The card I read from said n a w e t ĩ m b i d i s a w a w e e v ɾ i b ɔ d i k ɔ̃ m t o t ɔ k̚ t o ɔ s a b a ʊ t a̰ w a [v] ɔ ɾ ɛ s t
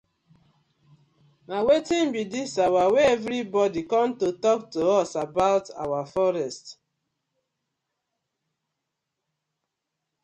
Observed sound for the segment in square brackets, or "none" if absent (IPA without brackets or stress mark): f